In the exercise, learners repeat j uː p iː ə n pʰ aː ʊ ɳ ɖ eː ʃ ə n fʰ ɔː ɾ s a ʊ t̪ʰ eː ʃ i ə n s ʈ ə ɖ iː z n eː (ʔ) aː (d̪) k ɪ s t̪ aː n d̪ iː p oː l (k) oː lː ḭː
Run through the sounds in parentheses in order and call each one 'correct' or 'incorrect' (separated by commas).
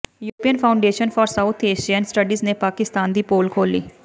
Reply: incorrect, incorrect, incorrect